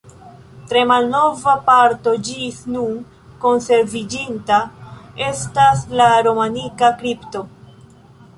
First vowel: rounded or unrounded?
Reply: unrounded